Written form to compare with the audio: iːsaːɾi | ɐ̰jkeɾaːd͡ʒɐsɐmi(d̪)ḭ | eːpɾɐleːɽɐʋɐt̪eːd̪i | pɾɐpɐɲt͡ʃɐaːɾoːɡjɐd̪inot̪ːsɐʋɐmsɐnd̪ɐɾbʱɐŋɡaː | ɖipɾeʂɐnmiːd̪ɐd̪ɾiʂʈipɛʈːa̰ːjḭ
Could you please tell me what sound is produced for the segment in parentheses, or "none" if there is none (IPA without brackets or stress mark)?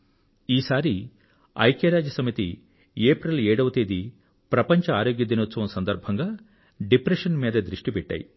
t̪